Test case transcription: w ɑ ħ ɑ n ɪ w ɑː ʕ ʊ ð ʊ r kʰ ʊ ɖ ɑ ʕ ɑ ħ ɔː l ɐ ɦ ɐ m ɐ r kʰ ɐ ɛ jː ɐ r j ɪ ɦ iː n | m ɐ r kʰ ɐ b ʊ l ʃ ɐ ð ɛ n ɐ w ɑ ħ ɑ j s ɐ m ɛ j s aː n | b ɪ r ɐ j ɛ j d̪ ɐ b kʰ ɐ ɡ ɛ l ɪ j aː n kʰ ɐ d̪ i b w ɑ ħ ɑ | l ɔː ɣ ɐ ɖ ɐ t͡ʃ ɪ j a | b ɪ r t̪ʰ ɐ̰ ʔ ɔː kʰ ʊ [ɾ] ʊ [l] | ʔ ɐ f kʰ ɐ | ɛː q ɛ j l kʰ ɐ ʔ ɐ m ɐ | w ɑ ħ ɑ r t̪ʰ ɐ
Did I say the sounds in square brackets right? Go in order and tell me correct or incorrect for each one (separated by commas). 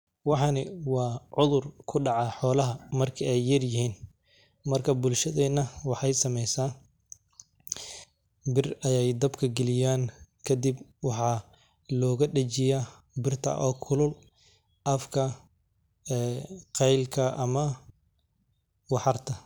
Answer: incorrect, correct